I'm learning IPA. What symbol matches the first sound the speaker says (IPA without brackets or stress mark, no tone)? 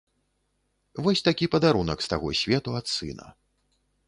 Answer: v